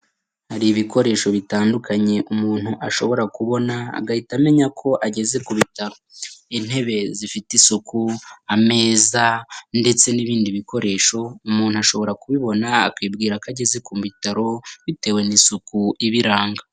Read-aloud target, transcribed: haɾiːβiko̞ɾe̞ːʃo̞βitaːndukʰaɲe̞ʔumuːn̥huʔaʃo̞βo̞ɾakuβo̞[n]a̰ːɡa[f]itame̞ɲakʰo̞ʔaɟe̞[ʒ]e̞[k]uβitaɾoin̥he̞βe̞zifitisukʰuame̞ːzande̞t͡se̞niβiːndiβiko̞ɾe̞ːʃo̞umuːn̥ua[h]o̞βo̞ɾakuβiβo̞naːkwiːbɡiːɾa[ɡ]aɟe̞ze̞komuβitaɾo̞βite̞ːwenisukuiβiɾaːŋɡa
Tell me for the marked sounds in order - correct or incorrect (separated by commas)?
correct, incorrect, incorrect, correct, incorrect, incorrect